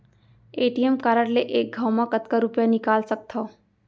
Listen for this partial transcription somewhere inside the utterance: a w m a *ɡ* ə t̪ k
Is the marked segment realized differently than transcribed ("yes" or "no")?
yes